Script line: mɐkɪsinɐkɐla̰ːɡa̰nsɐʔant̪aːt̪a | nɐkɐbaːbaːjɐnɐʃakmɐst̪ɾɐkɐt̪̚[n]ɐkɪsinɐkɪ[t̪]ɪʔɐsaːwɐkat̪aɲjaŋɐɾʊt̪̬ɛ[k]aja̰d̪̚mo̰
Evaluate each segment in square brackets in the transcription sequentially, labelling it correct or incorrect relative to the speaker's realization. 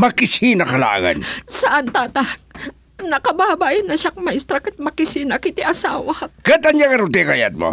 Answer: incorrect: m, correct, correct

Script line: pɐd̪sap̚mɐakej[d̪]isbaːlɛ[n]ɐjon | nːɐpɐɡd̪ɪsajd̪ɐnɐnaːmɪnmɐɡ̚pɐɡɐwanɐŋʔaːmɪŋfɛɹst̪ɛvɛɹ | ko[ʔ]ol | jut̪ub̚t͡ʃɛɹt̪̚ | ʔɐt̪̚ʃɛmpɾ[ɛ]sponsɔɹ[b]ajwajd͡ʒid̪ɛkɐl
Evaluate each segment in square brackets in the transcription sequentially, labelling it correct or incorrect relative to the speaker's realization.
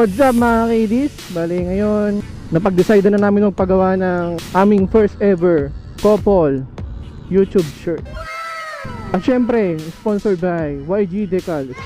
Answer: correct, incorrect: ŋ, incorrect: p, correct, correct

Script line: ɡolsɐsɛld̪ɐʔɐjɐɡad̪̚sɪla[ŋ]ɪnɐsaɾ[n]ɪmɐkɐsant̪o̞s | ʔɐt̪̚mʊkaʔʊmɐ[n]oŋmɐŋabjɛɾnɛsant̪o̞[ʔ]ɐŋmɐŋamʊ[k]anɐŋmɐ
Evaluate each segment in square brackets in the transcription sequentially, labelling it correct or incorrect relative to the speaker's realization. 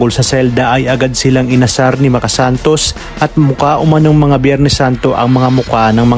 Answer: correct, correct, correct, correct, correct

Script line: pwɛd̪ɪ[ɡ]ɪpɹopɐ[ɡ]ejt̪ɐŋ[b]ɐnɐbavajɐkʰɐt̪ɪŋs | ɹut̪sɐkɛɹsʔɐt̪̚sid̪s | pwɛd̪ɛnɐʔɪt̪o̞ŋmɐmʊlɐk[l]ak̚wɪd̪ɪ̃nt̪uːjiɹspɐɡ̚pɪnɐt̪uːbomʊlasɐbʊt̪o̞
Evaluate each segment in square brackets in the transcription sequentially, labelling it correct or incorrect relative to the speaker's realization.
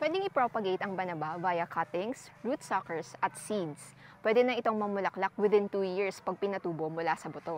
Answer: incorrect: ŋ, correct, correct, correct

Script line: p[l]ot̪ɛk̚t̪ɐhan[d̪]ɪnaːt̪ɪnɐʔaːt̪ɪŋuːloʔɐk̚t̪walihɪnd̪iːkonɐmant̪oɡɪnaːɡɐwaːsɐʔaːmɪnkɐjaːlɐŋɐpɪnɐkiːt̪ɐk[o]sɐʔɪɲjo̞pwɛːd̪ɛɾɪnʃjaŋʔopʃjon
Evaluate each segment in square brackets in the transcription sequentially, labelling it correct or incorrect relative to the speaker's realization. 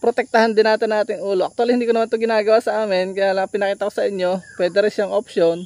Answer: incorrect: ɾ, correct, correct

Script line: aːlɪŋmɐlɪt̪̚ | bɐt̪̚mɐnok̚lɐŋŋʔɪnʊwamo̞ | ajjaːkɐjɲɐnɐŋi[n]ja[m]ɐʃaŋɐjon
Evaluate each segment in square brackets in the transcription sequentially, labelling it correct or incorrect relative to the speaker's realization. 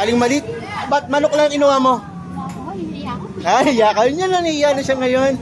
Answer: incorrect: none, incorrect: n

